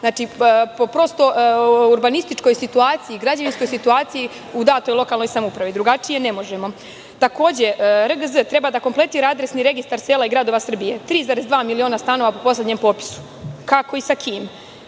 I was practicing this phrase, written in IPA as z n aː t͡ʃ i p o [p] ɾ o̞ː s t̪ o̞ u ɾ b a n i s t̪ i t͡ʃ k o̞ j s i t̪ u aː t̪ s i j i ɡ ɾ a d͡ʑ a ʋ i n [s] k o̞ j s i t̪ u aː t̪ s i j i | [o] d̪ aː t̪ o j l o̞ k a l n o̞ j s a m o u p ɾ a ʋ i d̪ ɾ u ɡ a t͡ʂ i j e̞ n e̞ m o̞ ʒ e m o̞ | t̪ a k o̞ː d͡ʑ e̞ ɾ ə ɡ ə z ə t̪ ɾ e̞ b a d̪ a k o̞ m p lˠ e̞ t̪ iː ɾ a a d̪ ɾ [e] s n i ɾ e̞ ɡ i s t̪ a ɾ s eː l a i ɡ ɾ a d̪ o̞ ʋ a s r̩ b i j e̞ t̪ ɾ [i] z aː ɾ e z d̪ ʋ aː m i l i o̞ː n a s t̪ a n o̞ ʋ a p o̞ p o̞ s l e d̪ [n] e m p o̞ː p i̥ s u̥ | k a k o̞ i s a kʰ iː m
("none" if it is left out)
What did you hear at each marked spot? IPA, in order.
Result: p, s, u, e, iː, ɲ

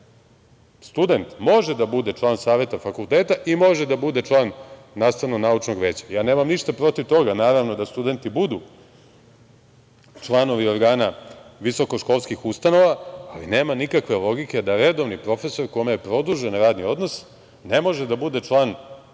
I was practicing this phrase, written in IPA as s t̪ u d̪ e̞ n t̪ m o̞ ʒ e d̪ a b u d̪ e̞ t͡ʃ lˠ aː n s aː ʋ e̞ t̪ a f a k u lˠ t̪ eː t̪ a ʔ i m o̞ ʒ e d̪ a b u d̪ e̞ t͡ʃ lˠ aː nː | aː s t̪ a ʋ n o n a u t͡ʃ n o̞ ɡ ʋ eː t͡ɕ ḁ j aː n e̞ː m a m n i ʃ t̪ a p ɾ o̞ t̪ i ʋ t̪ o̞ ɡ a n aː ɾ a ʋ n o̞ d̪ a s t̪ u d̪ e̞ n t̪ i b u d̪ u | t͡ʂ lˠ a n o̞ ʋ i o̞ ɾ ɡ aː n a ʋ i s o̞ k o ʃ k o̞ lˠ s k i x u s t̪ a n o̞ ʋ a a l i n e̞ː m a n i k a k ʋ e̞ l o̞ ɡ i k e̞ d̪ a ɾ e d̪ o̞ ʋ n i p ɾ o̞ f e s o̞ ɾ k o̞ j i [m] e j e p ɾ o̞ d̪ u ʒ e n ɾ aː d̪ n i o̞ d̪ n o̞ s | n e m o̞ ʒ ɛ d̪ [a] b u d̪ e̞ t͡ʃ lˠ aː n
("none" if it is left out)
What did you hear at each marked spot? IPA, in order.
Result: m, a

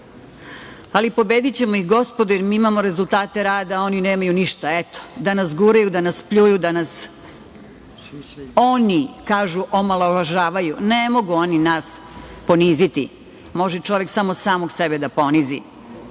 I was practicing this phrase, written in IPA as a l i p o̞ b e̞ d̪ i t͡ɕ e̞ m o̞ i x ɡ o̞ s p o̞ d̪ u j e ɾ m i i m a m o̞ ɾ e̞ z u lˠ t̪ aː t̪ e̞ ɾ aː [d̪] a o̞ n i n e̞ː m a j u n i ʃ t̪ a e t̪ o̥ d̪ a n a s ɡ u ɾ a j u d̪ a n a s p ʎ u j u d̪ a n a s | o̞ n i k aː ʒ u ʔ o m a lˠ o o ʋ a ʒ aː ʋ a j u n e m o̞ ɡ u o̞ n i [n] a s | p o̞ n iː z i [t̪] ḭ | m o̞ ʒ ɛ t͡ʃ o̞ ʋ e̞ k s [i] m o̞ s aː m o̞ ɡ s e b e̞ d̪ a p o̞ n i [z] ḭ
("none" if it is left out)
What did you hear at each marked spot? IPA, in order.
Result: d̪, n, t̪, a, z

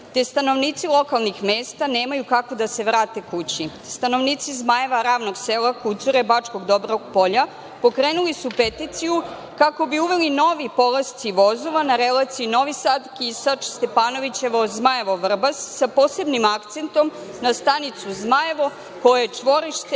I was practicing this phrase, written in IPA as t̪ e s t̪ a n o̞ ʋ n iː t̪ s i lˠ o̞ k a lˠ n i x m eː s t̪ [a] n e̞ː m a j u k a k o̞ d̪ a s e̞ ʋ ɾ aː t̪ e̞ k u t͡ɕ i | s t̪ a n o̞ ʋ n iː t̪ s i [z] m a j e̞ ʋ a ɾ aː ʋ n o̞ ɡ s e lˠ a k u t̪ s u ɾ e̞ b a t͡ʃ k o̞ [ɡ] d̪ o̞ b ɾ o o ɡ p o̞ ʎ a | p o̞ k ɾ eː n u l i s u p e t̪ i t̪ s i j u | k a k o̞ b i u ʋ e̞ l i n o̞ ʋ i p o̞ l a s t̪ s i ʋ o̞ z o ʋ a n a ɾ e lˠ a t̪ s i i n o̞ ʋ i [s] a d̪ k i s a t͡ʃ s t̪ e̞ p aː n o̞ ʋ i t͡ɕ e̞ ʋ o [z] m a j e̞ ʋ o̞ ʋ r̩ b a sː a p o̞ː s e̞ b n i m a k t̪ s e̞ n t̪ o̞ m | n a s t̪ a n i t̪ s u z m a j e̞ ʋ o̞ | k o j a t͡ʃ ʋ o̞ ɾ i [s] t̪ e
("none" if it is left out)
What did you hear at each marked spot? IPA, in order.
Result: a, z, ɡ, s, z, ʃ

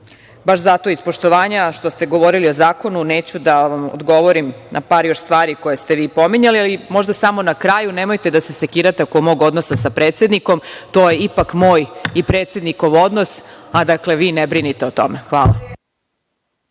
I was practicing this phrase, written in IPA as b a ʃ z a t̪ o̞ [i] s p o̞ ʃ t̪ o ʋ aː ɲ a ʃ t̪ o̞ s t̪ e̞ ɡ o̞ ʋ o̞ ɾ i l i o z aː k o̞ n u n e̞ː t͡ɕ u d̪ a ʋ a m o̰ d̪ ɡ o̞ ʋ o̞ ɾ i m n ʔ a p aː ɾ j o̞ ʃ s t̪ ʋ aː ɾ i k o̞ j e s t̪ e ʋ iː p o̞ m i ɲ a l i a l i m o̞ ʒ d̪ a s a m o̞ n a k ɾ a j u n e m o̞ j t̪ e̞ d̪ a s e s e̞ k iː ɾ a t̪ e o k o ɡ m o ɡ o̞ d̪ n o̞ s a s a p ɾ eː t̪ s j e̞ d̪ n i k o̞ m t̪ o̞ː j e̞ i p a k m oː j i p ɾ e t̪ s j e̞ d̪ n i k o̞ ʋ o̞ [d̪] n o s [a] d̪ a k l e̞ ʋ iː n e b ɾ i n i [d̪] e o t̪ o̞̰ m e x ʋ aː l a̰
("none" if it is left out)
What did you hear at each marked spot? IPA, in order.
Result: i, d̪, a, t̪

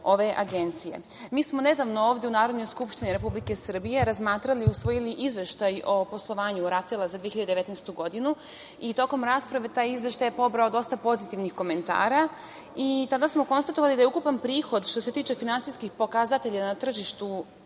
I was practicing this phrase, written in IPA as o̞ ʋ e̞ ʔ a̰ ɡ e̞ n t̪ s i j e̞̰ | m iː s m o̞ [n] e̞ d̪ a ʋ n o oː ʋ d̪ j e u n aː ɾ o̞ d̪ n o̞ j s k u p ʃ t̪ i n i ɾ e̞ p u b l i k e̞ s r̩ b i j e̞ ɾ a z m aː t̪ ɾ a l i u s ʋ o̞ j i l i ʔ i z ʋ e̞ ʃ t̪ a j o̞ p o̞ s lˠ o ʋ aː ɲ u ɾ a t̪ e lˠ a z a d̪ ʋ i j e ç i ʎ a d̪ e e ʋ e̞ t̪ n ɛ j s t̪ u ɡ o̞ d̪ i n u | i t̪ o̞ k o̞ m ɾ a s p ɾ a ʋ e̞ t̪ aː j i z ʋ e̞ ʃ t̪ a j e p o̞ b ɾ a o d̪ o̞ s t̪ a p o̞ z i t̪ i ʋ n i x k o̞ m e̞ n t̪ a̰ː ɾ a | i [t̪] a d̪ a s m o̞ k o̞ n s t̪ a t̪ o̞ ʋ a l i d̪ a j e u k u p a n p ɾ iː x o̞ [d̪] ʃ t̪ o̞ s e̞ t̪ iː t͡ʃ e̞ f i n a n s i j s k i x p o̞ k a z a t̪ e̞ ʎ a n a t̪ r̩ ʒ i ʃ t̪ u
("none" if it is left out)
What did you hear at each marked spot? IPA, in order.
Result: n, t̪, d̪

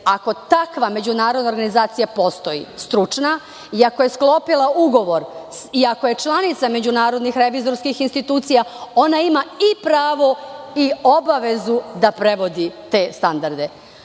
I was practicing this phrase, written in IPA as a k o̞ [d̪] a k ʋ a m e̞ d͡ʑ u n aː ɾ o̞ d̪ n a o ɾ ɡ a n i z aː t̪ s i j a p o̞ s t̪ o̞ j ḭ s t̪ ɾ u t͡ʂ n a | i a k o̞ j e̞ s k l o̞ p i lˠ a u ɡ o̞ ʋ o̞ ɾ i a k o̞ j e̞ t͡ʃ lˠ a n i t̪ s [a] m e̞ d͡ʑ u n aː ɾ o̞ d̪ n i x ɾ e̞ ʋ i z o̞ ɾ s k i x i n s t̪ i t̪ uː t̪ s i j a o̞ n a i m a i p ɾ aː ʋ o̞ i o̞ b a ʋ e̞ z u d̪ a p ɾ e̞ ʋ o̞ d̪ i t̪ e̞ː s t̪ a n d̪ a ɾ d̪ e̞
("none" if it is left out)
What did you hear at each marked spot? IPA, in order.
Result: t̪, a

